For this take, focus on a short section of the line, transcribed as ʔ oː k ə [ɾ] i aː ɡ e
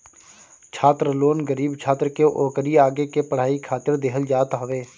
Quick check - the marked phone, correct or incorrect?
correct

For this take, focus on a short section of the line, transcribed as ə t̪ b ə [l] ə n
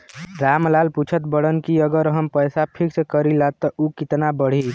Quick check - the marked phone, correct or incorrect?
incorrect: ɽ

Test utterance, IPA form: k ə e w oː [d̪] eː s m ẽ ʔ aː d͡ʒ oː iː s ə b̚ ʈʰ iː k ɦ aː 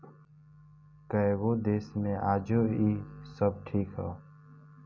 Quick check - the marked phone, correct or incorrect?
correct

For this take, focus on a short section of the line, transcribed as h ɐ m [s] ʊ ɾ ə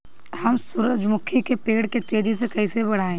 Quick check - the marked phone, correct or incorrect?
correct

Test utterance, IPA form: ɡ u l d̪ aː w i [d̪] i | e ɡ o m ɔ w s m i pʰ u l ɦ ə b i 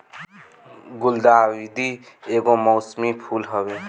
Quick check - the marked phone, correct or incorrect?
correct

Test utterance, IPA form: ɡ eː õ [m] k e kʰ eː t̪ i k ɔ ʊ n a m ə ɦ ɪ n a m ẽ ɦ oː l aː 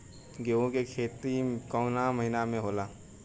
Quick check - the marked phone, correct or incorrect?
incorrect: none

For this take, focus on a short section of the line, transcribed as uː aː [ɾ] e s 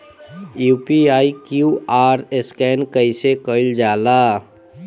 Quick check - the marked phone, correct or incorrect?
correct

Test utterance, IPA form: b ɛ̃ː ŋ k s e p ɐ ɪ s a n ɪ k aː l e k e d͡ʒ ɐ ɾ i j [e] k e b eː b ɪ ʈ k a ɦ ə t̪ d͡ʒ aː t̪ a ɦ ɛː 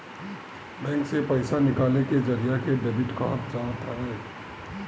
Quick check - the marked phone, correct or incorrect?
incorrect: a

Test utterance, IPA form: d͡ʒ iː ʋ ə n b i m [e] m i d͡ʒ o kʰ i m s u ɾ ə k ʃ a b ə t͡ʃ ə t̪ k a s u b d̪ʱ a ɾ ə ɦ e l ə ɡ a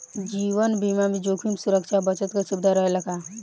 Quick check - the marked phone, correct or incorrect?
incorrect: a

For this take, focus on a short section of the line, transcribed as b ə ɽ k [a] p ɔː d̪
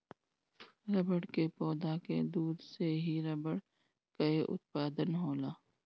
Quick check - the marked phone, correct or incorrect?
incorrect: e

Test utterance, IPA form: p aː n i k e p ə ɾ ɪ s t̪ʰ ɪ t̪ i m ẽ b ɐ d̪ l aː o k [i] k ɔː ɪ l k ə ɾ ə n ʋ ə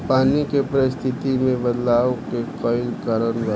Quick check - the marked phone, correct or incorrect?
incorrect: e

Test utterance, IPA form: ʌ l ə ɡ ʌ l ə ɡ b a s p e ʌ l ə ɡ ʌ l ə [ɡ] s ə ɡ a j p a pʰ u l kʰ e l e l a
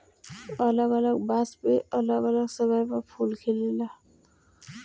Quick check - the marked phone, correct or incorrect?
correct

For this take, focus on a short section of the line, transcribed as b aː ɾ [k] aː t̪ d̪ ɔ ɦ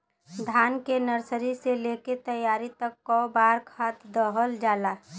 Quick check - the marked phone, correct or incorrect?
incorrect: kʰ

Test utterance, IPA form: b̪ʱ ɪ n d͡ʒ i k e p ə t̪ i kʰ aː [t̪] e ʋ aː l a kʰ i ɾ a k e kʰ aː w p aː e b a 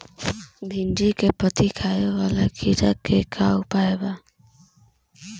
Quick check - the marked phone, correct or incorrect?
incorrect: none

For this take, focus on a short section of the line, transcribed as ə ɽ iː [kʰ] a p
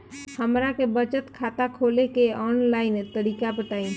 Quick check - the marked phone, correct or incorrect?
incorrect: k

